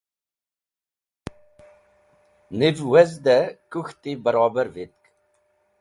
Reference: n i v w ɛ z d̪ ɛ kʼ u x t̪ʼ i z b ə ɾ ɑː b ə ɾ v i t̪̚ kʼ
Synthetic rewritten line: n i v w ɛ z d̪ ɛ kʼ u x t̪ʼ i b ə ɾ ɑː b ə ɾ v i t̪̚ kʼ